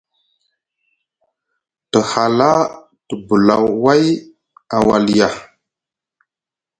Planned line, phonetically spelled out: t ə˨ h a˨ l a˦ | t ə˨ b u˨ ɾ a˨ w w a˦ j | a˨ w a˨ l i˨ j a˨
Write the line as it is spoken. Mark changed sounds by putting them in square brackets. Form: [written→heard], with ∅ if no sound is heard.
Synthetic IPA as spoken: t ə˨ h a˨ l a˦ | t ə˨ b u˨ [ɾ→l] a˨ w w a˦ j | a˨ w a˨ l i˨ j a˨